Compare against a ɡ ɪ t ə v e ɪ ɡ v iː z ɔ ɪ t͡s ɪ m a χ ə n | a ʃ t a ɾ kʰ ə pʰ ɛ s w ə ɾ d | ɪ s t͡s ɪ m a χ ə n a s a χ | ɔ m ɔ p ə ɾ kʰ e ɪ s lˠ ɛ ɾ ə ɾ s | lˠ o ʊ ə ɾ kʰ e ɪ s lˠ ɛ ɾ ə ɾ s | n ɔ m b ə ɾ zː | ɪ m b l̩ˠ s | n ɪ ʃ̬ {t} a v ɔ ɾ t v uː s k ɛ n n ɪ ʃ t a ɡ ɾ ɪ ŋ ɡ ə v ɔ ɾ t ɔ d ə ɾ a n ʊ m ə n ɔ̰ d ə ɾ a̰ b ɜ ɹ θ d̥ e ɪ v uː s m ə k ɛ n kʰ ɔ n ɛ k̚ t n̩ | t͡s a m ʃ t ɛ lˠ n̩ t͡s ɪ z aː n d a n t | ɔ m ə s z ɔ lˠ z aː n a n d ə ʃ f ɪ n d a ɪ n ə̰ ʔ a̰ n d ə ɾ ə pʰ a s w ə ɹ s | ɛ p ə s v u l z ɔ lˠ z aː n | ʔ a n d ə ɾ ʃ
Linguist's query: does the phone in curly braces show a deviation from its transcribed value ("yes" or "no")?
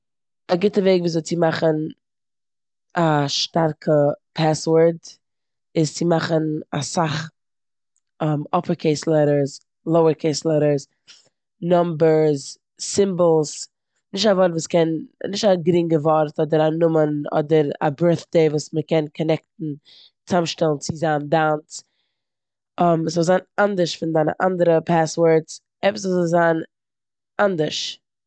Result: no